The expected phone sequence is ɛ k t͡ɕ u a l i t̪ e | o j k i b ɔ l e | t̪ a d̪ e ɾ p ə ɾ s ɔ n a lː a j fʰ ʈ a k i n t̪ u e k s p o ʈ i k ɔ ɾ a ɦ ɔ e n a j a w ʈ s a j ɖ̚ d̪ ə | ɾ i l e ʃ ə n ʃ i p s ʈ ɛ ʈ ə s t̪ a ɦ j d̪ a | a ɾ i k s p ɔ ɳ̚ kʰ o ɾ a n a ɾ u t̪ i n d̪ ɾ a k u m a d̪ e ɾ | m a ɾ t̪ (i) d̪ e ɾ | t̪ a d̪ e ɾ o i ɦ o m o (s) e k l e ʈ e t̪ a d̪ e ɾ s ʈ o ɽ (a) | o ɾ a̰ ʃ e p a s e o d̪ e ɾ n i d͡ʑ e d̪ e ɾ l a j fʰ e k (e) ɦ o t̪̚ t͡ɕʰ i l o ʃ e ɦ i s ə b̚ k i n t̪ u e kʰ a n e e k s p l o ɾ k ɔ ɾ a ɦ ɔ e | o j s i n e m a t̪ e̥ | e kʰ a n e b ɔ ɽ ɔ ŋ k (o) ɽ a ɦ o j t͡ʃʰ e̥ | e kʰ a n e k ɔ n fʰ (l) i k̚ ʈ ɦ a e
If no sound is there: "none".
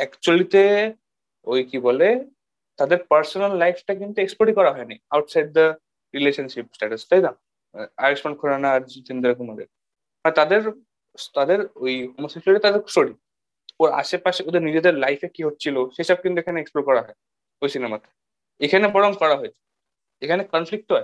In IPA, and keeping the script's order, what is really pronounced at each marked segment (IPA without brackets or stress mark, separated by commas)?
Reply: a, s, i, i, ɔ, l